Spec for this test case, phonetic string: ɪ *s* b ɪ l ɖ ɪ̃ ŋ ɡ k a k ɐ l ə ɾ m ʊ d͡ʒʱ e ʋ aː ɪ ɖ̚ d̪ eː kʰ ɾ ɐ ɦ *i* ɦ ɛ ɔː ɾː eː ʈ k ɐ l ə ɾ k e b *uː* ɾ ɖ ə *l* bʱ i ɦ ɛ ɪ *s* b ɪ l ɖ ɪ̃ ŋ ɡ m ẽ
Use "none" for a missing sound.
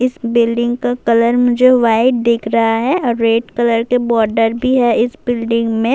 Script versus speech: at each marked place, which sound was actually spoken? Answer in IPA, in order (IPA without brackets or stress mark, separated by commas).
s, a, ɔː, ɾ, s